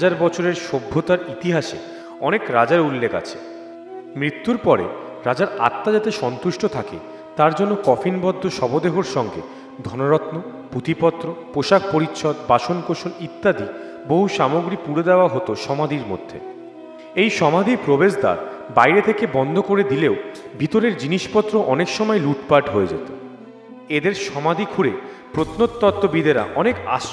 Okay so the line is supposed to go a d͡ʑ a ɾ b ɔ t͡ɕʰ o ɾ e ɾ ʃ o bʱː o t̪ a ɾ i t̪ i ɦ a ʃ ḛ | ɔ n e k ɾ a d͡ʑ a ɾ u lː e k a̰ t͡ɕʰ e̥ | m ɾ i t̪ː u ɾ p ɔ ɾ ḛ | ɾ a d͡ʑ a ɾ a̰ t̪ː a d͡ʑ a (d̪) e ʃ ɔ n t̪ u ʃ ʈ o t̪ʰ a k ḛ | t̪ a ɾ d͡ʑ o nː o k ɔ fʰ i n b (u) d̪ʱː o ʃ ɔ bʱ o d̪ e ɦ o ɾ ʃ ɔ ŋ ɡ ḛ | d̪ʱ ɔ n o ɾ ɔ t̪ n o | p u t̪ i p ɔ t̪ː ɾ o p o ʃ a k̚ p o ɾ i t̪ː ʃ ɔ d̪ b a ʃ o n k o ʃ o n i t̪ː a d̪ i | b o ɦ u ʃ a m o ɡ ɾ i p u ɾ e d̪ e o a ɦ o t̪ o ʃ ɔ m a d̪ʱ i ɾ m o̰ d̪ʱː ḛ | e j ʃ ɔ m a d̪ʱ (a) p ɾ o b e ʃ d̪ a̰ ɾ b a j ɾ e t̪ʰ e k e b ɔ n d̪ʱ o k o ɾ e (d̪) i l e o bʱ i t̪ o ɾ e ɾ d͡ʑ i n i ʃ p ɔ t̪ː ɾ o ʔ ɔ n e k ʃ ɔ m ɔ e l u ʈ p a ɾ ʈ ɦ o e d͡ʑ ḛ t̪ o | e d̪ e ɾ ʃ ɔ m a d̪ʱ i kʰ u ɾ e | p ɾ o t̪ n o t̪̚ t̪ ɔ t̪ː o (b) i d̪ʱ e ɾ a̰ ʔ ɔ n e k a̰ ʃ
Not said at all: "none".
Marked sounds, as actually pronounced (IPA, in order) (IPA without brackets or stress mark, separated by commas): t̪, ɔ, i, d̪, b